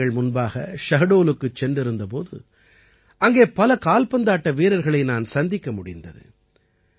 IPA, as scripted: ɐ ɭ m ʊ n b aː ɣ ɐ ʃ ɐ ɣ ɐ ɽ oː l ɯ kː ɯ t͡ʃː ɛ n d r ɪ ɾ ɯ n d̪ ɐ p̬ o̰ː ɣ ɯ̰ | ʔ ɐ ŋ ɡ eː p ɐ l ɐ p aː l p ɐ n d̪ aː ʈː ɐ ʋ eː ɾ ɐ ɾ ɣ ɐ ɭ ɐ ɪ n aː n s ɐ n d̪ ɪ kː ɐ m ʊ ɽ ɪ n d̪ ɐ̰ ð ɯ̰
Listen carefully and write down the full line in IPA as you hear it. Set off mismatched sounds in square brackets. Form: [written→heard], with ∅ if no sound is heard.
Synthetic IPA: ɐ ɭ m ʊ n b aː ɣ ɐ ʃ ɐ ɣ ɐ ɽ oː l ɯ kː ɯ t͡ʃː ɛ n d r ɪ ɾ ɯ n d̪ ɐ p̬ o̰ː [ɣ→ð] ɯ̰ | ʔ ɐ ŋ ɡ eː p ɐ l ɐ [p→k] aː l p ɐ n d̪ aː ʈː ɐ ʋ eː ɾ ɐ ɾ ɣ ɐ ɭ ɐ ɪ n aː n s ɐ n d̪ ɪ kː ɐ m ʊ ɽ ɪ n d̪ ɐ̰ ð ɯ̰